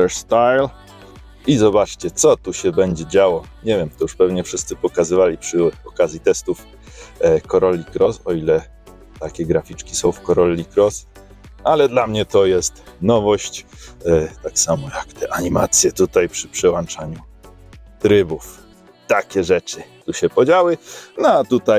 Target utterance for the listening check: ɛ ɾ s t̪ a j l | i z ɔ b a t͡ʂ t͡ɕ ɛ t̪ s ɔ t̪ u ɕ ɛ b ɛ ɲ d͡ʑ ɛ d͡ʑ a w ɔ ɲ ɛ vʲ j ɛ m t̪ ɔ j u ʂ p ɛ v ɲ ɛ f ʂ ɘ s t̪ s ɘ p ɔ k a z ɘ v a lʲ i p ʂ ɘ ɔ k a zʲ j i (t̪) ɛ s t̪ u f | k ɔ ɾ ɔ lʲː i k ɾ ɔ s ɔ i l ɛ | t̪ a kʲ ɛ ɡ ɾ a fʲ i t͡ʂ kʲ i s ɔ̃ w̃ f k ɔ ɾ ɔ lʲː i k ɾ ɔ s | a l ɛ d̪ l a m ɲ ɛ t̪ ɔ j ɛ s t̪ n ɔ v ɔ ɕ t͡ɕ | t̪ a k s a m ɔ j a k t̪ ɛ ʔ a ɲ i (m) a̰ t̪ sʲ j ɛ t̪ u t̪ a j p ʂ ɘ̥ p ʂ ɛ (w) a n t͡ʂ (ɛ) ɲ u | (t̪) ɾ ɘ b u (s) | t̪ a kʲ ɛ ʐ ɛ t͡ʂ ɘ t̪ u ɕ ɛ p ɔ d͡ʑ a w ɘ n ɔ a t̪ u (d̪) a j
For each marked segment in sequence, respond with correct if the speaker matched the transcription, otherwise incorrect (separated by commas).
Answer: correct, correct, correct, incorrect, correct, incorrect, incorrect